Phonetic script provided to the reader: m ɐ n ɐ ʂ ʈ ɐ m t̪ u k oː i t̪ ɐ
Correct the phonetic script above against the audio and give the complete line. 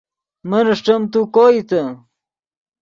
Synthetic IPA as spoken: m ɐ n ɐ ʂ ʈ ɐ m t̪ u k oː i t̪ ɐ